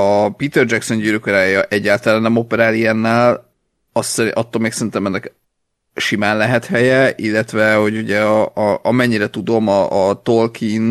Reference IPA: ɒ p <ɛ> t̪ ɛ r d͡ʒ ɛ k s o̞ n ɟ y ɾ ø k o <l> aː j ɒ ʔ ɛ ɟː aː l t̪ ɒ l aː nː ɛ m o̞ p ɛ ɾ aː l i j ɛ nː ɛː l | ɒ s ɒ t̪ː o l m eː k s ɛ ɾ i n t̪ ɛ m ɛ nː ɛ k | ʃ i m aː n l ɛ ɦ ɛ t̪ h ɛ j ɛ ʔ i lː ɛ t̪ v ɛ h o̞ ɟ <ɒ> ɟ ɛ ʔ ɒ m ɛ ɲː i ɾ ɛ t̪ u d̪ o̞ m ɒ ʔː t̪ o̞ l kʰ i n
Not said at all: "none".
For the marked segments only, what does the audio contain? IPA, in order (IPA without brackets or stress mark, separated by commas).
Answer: i, ɾ, u